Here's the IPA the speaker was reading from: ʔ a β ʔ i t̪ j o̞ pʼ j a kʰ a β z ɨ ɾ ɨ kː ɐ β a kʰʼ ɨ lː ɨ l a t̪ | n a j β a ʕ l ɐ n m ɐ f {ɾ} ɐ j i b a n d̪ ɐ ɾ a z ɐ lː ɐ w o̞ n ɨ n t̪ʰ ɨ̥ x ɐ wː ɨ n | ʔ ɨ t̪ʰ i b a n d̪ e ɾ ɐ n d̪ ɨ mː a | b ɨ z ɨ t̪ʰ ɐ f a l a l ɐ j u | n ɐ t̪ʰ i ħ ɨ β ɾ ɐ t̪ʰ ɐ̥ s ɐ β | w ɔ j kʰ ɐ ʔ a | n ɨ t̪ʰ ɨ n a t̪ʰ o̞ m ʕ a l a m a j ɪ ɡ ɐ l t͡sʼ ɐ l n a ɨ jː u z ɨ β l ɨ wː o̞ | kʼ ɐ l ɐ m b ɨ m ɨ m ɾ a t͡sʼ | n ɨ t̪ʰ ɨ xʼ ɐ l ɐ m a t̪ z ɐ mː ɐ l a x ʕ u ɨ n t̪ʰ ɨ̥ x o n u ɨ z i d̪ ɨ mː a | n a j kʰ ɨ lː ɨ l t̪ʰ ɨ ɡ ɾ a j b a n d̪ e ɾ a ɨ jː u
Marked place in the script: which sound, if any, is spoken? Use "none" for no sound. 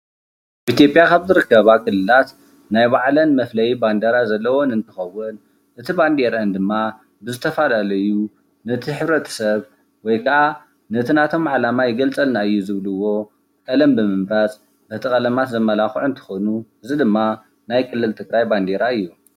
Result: l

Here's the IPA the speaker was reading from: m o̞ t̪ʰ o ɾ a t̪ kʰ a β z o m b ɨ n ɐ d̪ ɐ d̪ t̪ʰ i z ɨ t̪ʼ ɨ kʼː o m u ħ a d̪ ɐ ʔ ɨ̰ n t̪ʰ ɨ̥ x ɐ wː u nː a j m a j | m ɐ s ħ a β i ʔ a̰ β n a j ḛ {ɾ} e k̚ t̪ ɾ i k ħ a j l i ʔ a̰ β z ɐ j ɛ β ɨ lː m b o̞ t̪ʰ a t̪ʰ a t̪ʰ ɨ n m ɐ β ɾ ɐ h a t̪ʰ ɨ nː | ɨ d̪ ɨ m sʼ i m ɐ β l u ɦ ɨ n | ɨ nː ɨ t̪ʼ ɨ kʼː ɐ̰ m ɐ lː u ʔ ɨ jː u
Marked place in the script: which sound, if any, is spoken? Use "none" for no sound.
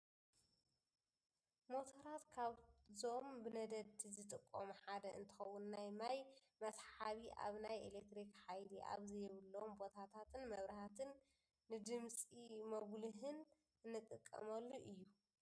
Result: l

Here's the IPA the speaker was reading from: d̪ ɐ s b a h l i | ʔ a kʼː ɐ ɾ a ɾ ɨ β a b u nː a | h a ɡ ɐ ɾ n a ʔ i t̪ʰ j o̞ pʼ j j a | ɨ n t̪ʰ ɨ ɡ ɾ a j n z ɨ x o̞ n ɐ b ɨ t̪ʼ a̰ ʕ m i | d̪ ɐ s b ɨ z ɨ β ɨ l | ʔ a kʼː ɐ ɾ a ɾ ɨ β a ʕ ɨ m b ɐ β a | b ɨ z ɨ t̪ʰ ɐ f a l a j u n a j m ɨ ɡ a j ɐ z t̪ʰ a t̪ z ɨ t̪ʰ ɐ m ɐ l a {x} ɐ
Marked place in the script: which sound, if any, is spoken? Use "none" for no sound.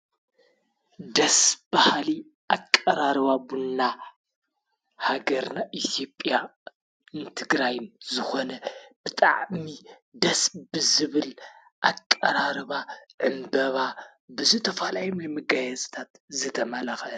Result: x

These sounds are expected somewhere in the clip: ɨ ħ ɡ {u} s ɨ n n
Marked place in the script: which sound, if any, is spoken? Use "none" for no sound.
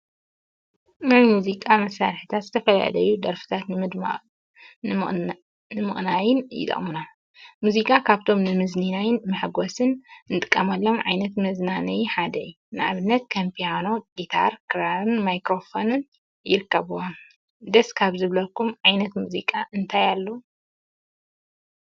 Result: o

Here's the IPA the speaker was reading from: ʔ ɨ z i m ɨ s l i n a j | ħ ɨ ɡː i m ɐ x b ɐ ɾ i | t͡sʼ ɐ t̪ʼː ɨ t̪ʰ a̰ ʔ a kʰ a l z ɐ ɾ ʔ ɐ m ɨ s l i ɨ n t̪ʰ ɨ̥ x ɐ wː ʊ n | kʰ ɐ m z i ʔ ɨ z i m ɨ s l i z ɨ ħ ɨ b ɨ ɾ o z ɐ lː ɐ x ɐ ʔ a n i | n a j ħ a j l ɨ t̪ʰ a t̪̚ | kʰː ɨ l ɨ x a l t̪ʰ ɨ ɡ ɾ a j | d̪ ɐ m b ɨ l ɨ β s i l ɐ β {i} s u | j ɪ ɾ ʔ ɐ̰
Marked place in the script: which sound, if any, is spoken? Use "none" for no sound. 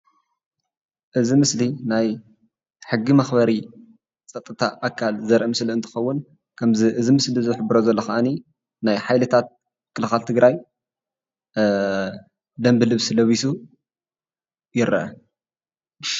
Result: i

